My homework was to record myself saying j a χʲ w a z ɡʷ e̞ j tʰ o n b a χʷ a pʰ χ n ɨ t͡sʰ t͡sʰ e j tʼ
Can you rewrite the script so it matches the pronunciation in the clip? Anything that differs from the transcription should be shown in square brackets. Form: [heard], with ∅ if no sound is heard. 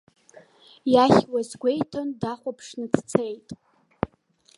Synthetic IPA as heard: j a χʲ w a z ɡʷ e̞ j tʰ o n [d] a χʷ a pʰ [ʂ] n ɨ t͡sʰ t͡sʰ e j tʼ